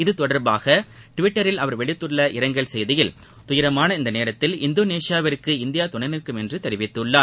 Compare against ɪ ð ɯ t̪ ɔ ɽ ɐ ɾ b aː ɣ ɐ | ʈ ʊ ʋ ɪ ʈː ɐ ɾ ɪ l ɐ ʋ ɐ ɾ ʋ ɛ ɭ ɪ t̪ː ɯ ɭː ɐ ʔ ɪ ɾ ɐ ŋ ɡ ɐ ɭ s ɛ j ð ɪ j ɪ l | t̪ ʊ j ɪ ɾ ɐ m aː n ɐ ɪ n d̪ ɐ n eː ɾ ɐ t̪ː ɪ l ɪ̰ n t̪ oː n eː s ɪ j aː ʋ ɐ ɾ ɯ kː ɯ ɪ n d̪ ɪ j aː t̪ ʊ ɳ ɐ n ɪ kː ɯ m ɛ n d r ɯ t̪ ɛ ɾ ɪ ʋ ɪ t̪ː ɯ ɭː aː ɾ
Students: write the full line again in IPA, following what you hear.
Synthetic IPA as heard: ɪ ð ɯ t̪ ɔ ɽ ɐ ɾ b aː ɣ ɐ | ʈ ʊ ʋ ɪ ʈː ɐ ɾ ɪ l ɐ ʋ ɐ ɾ ʋ ɛ ɭ ɪ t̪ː ɯ ɭː ɐ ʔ ɪ ɾ ɐ ŋ ɡ ɐ ɭ s ɛ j ð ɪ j ɪ l | t̪ ʊ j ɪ ɾ ɐ m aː n ɐ ɪ n d̪ ɐ n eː ɾ ɐ t̪ː ɪ l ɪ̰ n d̪ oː n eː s ɪ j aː ʋ ɐ ɾ ɯ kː ɯ ɪ n d̪ ɪ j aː t̪ ʊ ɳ ɐ n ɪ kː ɯ m ɛ n d r ɯ t̪ ɛ ɾ ɪ ʋ ɪ t̪ː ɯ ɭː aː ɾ